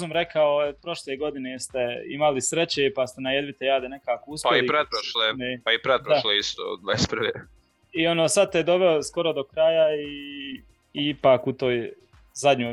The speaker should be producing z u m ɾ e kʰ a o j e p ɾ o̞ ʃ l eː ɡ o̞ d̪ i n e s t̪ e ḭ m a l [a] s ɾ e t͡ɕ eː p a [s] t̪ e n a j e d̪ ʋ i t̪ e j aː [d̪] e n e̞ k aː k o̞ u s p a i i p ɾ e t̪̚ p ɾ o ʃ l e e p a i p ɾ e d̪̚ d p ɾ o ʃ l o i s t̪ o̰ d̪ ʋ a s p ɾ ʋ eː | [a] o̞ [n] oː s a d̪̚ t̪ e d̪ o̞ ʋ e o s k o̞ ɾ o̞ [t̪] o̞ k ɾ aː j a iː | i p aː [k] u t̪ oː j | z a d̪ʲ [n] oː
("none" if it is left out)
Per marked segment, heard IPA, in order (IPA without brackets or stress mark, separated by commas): i, s, d̪, i, n, d̪, k, ɲ